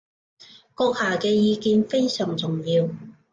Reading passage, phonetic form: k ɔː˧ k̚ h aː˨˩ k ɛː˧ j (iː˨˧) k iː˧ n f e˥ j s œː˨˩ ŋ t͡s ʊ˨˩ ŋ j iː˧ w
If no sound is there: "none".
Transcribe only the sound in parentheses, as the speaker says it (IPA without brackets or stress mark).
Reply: iː˨˧